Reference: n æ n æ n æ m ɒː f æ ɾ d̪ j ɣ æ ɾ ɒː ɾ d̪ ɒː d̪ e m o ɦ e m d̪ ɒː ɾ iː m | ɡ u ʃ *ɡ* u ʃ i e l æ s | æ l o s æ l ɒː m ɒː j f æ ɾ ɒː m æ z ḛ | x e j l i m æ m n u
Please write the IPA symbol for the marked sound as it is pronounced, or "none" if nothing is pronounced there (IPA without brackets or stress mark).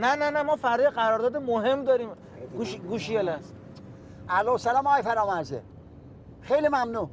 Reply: ɡ